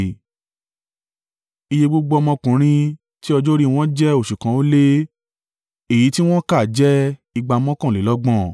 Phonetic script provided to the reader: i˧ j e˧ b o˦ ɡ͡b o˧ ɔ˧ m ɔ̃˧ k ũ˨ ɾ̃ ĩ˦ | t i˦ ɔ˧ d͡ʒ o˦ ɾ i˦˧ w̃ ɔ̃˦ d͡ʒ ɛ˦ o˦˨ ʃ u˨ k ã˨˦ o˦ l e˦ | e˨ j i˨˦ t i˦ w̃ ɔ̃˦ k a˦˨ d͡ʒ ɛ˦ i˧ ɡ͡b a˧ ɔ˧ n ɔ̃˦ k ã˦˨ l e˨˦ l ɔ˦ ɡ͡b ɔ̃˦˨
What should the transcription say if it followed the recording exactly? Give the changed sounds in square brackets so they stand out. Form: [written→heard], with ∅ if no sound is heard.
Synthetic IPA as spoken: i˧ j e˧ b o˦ ɡ͡b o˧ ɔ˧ m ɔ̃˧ k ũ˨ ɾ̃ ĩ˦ | t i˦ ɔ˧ d͡ʒ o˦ ɾ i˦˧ w̃ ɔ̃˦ d͡ʒ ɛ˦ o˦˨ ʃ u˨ k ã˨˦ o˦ l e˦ | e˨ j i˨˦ t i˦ w̃ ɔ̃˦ k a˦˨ d͡ʒ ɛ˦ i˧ ɡ͡b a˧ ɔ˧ [n→m] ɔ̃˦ k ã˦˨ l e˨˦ l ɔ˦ ɡ͡b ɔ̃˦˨